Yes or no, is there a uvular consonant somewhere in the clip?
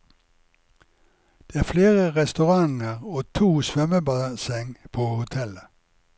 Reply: yes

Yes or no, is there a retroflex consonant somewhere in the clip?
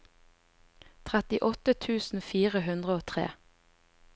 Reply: no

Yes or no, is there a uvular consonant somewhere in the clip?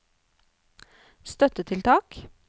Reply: no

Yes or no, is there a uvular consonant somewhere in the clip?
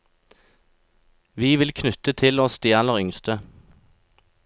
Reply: yes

